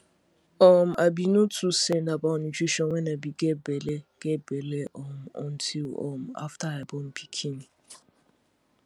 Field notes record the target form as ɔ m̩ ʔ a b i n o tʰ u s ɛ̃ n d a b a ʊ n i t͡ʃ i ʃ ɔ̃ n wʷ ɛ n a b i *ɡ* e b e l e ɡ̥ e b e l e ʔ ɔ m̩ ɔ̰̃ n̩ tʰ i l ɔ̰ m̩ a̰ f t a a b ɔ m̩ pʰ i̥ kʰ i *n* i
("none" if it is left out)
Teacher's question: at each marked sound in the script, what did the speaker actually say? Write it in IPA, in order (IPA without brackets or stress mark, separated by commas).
ɡ, n